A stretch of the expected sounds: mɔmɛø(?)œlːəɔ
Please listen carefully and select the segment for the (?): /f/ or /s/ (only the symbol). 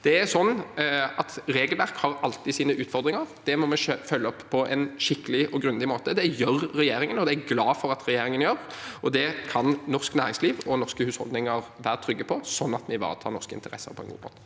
f